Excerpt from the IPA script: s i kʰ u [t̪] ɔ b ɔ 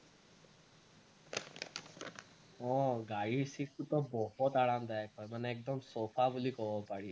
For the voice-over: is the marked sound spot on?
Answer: yes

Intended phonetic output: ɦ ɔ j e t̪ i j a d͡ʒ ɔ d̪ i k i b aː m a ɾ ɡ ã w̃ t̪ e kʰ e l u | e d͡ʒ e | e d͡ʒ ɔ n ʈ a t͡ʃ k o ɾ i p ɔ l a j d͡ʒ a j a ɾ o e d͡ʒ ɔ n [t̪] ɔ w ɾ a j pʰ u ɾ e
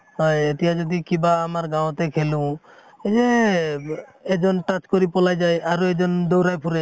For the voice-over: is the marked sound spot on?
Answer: no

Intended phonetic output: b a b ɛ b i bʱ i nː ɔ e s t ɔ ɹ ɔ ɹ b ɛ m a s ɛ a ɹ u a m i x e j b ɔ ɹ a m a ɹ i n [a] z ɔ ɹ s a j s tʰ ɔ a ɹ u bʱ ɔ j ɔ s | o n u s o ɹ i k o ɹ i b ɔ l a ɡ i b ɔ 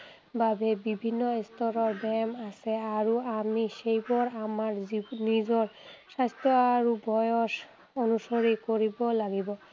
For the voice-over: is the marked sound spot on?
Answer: no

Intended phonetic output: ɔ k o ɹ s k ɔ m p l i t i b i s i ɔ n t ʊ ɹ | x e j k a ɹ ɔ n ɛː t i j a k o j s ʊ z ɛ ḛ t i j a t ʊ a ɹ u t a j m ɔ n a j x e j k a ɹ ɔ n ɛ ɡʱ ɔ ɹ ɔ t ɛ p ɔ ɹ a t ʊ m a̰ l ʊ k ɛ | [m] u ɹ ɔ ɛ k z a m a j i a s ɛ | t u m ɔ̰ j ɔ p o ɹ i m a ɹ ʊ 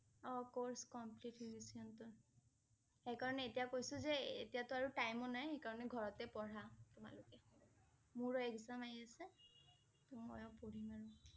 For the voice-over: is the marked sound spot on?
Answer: yes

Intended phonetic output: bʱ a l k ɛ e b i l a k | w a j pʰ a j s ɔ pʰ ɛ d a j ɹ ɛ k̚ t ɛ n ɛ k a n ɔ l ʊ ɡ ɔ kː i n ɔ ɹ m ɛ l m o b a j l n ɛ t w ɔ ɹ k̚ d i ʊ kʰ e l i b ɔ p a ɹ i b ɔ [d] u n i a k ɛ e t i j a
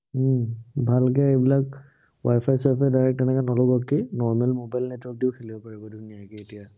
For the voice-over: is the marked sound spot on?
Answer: yes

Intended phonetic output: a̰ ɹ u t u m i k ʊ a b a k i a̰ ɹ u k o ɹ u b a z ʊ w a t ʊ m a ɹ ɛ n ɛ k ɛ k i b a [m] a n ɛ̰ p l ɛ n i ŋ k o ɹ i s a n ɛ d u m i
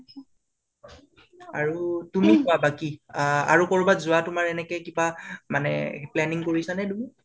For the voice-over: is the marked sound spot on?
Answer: yes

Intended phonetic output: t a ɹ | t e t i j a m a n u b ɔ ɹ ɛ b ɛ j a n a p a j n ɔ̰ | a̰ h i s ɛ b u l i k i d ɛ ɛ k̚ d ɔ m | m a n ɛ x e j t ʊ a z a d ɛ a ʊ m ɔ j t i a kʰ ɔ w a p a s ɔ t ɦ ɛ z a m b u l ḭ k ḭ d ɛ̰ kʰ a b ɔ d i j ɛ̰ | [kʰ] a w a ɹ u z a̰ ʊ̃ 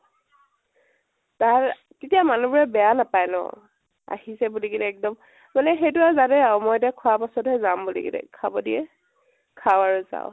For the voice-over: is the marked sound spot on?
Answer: yes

